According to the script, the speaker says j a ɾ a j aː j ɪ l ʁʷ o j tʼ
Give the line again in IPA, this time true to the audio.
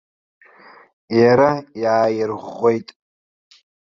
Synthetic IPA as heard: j a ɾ a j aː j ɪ r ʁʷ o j tʼ